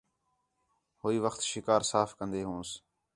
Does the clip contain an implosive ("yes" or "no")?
no